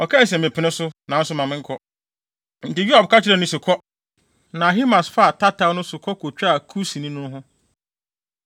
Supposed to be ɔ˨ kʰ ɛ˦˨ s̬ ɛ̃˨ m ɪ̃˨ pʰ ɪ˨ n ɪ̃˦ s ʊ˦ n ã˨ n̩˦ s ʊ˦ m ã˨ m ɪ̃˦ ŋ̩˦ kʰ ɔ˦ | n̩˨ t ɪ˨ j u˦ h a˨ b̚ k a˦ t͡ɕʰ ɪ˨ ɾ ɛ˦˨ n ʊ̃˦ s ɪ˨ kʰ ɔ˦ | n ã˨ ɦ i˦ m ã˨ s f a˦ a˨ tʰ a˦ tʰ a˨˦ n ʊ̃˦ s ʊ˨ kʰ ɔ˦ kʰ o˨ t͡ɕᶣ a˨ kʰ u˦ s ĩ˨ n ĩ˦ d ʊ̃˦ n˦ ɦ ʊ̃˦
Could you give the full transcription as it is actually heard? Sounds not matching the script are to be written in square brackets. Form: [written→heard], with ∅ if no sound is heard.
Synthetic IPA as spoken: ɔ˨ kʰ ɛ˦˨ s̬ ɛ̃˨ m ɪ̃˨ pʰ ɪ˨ n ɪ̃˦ s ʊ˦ n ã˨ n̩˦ s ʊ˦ m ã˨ m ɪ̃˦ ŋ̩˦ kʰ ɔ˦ | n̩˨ t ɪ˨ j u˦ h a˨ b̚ k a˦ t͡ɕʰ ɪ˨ ɾ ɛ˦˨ n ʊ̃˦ s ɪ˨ kʰ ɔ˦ | n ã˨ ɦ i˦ m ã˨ s f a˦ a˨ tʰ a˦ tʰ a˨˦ n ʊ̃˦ s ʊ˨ kʰ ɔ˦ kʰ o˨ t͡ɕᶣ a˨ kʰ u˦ s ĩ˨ n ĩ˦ [d→n] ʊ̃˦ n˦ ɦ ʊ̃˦